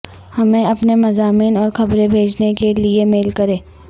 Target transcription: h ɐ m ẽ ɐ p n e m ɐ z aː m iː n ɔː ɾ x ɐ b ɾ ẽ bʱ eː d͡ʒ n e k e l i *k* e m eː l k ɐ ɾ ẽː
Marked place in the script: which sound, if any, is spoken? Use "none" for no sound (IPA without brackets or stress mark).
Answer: none